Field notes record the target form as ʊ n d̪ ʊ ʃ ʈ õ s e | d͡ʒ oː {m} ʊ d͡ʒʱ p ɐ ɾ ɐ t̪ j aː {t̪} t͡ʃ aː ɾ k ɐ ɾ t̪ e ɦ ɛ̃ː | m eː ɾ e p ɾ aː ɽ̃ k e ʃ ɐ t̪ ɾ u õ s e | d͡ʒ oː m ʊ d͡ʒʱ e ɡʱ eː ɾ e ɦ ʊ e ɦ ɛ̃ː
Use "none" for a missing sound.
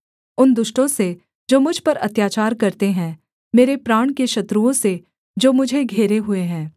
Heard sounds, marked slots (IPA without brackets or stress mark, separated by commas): m, none